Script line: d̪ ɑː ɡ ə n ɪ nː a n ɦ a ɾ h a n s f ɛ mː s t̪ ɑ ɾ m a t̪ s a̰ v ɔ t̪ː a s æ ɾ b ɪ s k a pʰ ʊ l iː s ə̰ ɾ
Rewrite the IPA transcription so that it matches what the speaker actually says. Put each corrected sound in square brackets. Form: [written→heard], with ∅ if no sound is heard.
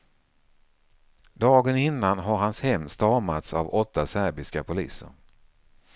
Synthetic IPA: d̪ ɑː ɡ ə n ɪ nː a n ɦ a ɾ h a n s [f→h] ɛ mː s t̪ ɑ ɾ m a t̪ s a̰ v ɔ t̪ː a s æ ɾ b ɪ s k a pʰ ʊ l iː s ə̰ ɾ